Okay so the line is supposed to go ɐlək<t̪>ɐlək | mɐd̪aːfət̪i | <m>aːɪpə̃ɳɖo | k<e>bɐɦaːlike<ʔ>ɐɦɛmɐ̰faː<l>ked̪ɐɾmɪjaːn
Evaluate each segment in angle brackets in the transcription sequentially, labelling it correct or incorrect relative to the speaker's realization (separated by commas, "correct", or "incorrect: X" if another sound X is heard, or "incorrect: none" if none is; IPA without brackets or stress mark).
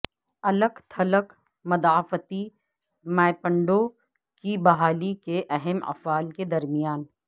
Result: incorrect: t̪ʰ, correct, incorrect: i, correct, correct